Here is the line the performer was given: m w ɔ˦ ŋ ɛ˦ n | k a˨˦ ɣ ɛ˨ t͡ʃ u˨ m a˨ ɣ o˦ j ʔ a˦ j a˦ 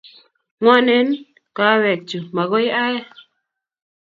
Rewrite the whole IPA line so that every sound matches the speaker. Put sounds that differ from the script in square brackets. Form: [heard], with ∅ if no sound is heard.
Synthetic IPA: [ŋ] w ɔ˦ [n] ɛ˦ n | k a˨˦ [w] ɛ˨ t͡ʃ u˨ m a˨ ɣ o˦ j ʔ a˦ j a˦